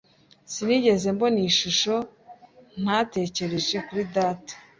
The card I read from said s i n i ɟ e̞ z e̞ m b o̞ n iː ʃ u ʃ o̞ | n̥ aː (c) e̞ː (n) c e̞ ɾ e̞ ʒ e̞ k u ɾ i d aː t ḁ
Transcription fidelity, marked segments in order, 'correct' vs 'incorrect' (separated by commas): incorrect, incorrect